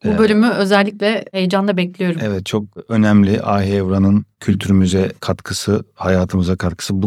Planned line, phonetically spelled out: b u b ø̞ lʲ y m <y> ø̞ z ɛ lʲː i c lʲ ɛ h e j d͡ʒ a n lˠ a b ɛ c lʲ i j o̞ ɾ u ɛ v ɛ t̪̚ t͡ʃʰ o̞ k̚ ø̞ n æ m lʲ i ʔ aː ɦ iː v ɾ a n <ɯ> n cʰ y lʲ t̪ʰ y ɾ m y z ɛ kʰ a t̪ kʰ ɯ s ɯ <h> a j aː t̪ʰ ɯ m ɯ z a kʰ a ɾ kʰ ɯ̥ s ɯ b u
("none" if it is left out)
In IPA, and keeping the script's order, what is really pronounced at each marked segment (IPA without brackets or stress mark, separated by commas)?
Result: y, ɯ, h